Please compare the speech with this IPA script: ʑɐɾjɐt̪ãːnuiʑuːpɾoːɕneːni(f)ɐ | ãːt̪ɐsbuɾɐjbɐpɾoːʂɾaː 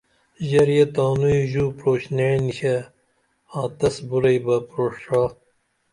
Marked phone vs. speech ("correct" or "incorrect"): incorrect